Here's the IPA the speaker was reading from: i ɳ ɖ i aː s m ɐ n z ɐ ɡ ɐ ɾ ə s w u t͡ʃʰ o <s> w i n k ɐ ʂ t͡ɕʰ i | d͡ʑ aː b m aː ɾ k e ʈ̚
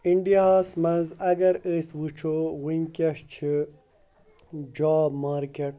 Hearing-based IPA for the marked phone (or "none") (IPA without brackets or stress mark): none